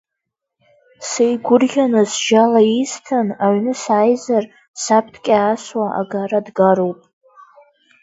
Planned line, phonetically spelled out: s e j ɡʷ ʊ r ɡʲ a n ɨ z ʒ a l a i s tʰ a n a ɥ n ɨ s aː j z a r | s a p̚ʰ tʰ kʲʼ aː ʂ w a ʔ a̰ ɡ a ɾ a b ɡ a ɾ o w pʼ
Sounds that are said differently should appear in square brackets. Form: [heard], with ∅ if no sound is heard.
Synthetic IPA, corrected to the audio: s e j ɡʷ ʊ r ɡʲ a n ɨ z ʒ a l a i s tʰ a n a ɥ n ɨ s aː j z a r | s a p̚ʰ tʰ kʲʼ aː [s] w a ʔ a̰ ɡ a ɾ a [d] ɡ a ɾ o w pʼ

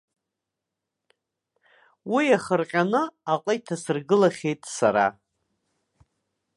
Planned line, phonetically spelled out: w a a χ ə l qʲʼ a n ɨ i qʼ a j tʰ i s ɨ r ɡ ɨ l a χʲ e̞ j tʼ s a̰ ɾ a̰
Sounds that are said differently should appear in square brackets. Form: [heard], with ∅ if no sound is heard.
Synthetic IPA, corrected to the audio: w [i] a χ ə [r] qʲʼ a n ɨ [a] qʼ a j tʰ [a] s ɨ r ɡ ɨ l a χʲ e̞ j tʼ s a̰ ɾ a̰

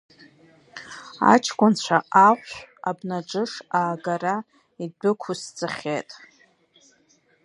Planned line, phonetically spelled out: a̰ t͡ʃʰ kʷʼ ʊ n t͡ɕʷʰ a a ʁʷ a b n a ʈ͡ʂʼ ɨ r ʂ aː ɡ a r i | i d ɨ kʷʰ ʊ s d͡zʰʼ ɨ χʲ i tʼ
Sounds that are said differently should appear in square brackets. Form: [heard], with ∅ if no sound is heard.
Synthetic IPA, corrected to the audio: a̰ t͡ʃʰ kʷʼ ʊ n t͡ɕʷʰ a a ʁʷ a b n a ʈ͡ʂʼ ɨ [∅] ʂ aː ɡ a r [a] | i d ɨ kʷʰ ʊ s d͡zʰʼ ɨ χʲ [e] tʼ

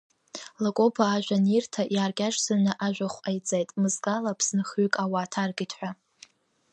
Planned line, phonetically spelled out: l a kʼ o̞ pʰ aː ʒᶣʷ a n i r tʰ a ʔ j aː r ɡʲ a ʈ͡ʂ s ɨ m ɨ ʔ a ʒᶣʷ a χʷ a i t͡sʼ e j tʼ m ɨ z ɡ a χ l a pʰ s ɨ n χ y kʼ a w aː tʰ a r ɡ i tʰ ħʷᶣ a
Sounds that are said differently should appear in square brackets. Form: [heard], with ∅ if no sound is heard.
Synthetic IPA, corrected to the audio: l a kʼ o̞ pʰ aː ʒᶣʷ a n i r tʰ a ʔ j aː r ɡʲ a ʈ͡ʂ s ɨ [n] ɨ ʔ a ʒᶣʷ a χʷ a [j] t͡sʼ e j tʼ m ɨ z ɡ a [∅] l a pʰ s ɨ n χ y kʼ a w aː tʰ a r ɡ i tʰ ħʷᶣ a

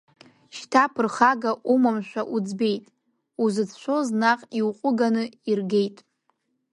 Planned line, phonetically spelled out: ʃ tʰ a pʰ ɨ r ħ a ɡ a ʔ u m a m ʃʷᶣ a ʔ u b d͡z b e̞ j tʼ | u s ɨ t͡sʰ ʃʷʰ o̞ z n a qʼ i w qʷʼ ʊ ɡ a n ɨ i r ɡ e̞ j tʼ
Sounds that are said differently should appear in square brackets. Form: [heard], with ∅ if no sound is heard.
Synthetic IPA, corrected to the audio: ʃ tʰ a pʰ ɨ r [χ] a ɡ a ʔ u m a m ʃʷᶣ a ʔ u [∅] d͡z b e̞ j tʼ | u [z] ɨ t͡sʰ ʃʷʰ o̞ z n a qʼ i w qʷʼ ʊ ɡ a n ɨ i r ɡ e̞ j tʼ

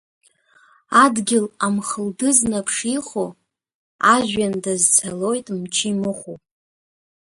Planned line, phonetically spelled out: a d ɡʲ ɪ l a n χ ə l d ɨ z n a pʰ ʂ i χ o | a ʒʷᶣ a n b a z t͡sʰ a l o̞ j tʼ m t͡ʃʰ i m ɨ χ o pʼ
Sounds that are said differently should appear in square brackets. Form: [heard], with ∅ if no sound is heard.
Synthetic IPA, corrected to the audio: a d ɡʲ ɪ l a [m] χ ə l d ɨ z n a pʰ ʂ i χ o | a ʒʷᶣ a n [d] a z t͡sʰ a l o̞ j tʼ m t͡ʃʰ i m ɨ χ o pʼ

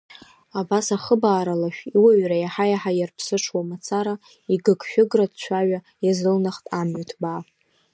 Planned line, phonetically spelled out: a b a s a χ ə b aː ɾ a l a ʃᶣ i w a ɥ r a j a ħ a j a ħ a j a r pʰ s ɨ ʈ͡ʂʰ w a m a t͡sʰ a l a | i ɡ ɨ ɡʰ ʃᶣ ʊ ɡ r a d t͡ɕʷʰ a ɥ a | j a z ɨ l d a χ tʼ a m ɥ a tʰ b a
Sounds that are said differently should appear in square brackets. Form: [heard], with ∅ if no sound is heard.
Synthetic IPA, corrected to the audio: a b a s a χ ə b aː ɾ a l a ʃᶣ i w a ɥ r a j a ħ a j a ħ a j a r pʰ s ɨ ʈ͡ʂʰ w a m a t͡sʰ a [ɾ] a | i ɡ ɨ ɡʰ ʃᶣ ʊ ɡ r a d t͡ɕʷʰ a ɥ a | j a z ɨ l [n] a χ tʼ a m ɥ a tʰ b a

